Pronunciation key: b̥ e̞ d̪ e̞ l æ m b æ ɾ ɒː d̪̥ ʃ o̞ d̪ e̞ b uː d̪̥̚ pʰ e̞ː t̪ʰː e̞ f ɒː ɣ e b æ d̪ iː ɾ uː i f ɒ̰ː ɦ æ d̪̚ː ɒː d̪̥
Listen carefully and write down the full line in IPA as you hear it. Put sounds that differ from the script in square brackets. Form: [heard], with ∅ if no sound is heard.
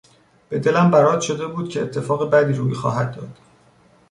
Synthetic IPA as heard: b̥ e̞ d̪ e̞ l æ m b æ ɾ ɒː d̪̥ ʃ o̞ d̪ e̞ b uː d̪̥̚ [cʰ] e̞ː t̪ʰː e̞ f ɒː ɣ e b æ d̪ iː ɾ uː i [x] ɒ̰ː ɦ æ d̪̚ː ɒː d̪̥